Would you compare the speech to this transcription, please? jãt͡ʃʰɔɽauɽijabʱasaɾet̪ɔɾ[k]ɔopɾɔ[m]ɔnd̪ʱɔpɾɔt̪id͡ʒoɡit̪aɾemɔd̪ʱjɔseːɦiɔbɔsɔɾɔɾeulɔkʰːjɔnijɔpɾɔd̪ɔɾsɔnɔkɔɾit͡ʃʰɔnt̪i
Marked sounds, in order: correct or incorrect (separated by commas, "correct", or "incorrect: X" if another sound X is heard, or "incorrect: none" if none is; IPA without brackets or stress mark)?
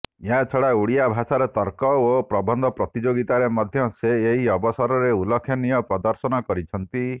correct, incorrect: b